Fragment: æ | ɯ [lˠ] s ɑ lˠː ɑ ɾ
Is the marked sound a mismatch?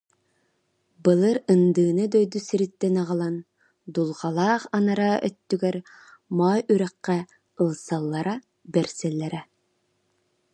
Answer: no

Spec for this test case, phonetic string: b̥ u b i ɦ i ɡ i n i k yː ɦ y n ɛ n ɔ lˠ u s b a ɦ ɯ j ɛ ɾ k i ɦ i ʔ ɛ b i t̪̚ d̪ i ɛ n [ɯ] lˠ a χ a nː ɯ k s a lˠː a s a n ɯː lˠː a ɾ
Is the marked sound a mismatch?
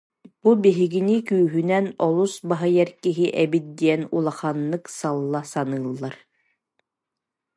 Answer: yes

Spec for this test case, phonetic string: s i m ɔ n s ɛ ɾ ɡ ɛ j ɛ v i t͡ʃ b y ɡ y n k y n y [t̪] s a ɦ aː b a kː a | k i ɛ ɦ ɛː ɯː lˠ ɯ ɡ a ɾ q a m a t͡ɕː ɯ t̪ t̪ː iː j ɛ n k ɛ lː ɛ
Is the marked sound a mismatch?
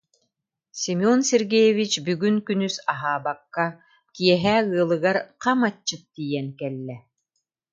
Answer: yes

